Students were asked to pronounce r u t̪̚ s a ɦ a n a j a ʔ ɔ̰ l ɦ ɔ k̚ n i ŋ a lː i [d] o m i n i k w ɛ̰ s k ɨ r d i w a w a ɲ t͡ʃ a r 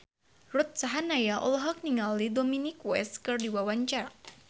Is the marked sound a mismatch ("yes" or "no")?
no